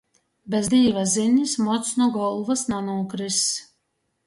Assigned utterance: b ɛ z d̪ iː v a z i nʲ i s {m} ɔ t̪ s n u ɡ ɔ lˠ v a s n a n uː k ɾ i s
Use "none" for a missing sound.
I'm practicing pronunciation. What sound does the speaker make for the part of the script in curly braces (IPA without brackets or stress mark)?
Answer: m